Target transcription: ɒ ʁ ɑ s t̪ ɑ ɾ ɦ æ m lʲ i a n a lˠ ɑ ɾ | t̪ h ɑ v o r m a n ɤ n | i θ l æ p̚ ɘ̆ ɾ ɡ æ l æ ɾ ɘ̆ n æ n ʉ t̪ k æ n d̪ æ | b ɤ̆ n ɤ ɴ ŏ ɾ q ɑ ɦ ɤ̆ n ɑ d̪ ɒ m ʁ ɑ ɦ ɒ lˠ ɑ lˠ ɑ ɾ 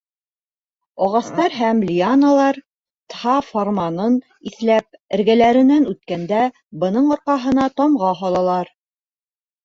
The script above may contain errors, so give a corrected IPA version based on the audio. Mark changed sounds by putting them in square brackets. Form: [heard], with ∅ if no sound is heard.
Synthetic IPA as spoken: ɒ ʁ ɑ s t̪ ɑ ɾ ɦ æ m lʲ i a n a lˠ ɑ ɾ | t̪ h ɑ [f] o r m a n ɤ n | i θ l æ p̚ ɘ̆ ɾ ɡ æ l æ ɾ ɘ̆ n æ n ʉ t̪ k æ n d̪ æ | b ɤ̆ n ɤ ɴ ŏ ɾ q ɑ ɦ ɤ̆ n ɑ [t̪] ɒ m ʁ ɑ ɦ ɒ lˠ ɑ lˠ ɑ ɾ